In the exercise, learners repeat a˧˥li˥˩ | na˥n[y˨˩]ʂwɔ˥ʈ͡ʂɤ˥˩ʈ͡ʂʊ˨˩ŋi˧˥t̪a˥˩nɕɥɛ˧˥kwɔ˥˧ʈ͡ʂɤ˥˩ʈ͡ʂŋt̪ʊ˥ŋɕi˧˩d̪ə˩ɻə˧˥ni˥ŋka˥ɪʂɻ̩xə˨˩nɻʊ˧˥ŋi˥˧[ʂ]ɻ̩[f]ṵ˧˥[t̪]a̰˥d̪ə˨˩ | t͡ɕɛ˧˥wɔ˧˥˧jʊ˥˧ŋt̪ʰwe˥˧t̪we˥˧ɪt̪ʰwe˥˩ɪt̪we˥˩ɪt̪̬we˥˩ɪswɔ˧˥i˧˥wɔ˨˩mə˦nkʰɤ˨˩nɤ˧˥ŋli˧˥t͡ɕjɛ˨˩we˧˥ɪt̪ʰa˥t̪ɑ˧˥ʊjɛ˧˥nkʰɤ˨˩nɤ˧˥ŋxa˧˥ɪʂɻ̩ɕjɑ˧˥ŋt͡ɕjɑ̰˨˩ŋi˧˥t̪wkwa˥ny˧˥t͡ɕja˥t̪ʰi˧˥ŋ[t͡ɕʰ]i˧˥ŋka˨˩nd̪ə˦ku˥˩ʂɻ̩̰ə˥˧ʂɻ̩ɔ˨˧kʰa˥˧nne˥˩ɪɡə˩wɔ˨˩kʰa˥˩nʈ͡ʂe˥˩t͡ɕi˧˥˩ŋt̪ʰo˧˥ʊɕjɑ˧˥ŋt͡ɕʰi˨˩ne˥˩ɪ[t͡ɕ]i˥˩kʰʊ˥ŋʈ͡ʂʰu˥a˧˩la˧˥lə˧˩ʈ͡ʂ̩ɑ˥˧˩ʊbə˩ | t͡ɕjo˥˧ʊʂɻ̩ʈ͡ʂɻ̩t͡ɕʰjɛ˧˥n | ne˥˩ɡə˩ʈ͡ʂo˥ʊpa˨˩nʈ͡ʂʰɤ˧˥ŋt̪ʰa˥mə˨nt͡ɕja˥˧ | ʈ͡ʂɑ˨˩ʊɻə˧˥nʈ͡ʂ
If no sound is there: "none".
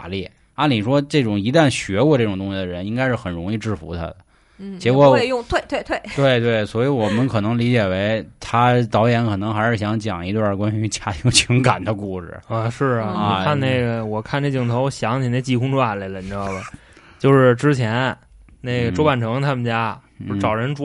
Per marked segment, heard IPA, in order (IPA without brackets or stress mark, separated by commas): i˨˩, ʈ͡ʂ, f, t̪ʰ, t͡ɕʰ, t͡ɕ